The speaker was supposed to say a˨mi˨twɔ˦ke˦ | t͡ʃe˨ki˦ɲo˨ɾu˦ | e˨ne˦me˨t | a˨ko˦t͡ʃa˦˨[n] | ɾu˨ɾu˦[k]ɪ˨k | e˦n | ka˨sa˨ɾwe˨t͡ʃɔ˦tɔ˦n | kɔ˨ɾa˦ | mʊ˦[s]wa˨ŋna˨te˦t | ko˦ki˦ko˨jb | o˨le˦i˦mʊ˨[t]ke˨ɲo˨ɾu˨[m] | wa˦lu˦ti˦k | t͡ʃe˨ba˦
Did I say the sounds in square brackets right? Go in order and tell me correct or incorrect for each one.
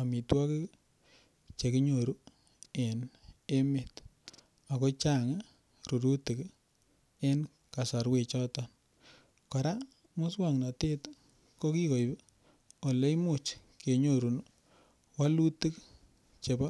incorrect: ŋ, incorrect: t, correct, incorrect: t͡ʃ, incorrect: n

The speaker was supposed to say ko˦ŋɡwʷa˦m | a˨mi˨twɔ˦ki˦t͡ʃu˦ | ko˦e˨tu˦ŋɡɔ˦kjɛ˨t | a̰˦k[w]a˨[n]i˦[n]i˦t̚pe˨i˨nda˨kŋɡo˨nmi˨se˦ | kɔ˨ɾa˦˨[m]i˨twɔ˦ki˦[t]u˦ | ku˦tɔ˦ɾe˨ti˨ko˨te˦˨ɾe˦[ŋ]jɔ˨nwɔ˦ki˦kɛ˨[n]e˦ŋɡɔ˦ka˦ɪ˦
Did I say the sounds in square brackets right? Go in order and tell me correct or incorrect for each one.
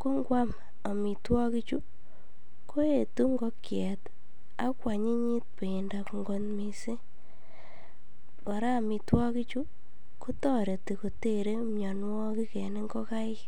correct, incorrect: ɲ, incorrect: ɲ, correct, incorrect: t͡ʃ, incorrect: m, correct

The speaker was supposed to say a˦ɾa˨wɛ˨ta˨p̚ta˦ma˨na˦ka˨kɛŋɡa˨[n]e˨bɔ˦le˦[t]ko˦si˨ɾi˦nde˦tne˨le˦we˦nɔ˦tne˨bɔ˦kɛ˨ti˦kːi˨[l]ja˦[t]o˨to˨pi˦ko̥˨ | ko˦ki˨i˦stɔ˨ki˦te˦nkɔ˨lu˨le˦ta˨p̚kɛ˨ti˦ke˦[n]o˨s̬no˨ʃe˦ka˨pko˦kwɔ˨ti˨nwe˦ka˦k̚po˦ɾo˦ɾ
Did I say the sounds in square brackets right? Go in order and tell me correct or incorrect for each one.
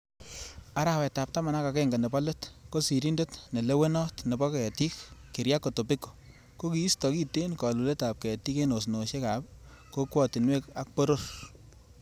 correct, correct, incorrect: ɾ, incorrect: k, correct

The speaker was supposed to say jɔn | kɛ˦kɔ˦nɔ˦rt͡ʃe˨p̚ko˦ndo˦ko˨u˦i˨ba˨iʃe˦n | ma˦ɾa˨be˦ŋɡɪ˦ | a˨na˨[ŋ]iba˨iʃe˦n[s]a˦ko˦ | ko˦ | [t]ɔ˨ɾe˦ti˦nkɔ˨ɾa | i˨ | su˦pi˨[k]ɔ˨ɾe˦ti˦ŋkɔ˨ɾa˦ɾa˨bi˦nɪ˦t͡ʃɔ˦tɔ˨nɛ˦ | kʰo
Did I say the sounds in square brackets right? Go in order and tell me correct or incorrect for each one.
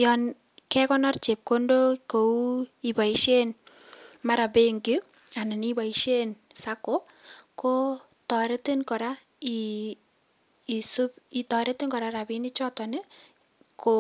incorrect: n, correct, correct, incorrect: t

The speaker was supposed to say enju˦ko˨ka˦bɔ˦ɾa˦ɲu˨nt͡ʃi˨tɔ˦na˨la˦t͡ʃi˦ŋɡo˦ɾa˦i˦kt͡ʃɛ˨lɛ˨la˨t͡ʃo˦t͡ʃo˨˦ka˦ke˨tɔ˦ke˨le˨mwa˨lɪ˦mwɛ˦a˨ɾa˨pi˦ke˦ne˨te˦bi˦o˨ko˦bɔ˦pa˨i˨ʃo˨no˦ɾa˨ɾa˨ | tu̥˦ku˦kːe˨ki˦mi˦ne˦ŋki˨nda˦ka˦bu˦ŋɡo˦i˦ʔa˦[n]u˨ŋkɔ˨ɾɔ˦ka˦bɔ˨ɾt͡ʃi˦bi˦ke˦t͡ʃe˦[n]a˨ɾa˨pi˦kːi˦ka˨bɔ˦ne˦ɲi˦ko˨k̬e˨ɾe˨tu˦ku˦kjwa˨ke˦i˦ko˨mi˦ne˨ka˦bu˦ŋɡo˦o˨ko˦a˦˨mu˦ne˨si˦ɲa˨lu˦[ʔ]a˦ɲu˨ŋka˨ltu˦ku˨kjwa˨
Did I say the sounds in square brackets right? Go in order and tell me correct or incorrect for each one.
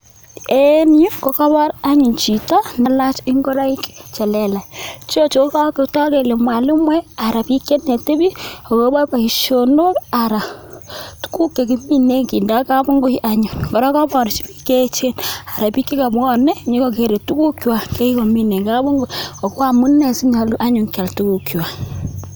incorrect: ɲ, correct, correct

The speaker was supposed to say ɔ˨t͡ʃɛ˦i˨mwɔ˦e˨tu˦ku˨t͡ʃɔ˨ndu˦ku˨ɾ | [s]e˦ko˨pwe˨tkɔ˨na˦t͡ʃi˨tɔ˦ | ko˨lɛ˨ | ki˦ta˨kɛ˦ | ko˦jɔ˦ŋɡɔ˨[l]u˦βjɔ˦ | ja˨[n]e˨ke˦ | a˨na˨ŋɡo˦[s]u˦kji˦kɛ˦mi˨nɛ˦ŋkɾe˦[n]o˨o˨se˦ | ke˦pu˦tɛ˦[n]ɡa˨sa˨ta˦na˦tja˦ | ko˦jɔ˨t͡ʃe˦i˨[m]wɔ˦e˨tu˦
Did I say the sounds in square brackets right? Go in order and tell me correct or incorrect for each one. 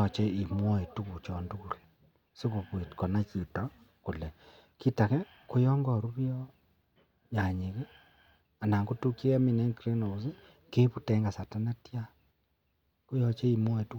correct, incorrect: ɾ, incorrect: ɲ, incorrect: t, correct, incorrect: ŋ, correct

